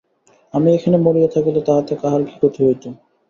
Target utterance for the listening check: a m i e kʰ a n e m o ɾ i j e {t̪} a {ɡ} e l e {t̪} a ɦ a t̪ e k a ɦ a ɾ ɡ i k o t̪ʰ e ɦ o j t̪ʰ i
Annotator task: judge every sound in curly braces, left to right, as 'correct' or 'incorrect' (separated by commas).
incorrect, incorrect, correct